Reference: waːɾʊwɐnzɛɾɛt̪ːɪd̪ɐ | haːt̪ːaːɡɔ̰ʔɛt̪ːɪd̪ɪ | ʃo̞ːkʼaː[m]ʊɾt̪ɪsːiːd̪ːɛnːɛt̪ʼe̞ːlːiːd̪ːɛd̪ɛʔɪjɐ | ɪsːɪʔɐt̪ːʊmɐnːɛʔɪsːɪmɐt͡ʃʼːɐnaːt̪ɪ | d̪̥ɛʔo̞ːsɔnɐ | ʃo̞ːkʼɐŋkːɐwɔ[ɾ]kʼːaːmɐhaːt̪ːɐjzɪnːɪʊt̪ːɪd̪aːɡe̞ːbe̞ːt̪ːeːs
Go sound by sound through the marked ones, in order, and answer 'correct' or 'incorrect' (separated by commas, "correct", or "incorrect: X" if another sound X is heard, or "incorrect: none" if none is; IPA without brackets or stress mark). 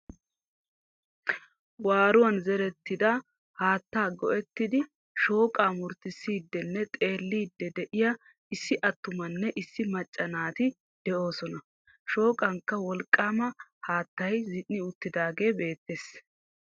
correct, incorrect: l